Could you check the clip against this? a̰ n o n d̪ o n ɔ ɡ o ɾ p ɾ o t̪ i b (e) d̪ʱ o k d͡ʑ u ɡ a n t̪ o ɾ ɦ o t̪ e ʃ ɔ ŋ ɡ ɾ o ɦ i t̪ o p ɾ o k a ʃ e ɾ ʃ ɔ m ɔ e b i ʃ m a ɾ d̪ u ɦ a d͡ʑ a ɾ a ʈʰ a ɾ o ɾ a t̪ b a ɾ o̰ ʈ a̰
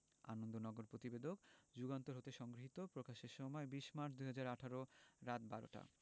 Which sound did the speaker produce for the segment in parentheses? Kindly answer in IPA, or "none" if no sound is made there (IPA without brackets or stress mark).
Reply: e